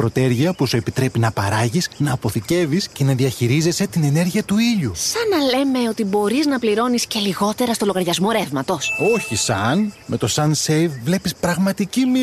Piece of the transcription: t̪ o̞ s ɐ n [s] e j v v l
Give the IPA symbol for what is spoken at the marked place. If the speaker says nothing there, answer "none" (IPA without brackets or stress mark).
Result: s